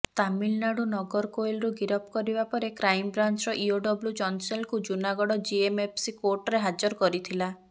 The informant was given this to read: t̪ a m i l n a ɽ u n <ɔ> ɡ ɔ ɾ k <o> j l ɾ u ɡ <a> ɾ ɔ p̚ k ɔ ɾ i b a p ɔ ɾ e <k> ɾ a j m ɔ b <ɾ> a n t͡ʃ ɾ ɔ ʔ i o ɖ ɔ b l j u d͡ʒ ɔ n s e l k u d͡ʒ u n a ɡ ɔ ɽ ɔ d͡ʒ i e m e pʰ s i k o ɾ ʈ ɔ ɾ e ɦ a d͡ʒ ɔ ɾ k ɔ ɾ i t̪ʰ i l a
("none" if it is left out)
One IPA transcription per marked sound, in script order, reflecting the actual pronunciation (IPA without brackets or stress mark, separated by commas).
ɔ, o, i, k, ɾ